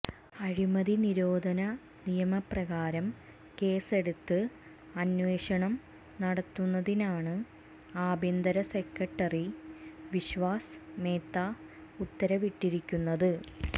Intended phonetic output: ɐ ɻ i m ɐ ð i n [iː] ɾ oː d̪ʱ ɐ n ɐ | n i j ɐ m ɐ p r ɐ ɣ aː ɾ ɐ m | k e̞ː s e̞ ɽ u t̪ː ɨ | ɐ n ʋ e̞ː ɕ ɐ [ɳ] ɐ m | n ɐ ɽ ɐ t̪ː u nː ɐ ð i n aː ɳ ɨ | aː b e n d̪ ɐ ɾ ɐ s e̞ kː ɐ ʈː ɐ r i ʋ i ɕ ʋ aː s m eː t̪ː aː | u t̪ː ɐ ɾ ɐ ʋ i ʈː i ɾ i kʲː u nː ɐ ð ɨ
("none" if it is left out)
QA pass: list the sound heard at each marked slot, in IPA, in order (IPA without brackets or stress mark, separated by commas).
i, ɳ